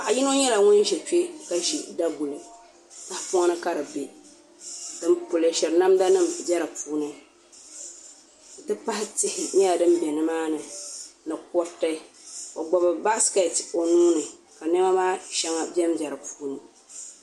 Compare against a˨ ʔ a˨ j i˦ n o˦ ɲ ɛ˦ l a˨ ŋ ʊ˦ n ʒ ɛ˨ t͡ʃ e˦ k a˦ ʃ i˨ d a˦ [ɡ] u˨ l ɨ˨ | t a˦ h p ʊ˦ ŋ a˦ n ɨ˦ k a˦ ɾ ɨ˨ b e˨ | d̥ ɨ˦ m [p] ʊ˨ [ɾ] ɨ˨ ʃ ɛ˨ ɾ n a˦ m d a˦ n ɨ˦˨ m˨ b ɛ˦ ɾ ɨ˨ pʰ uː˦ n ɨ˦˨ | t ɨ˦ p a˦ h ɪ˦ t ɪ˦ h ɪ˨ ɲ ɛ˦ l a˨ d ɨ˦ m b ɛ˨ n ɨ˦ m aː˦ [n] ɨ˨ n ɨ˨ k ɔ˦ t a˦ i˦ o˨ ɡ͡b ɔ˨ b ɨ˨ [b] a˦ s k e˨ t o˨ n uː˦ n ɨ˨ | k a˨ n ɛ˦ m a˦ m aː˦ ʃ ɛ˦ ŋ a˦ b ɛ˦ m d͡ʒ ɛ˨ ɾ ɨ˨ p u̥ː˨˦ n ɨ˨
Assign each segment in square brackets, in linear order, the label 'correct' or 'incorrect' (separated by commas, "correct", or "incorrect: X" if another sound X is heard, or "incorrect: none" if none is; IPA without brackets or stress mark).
correct, correct, incorrect: l, correct, correct